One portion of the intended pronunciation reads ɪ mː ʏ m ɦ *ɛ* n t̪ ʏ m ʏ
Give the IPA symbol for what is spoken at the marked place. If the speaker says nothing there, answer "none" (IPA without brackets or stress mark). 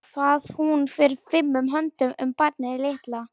œ